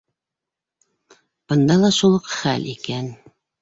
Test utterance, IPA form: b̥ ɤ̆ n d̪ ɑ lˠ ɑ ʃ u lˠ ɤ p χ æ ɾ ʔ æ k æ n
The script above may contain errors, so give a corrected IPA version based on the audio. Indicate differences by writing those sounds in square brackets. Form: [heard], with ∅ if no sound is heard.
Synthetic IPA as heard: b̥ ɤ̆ n d̪ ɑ lˠ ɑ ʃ u lˠ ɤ [q] χ æ [l] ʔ [i] k æ n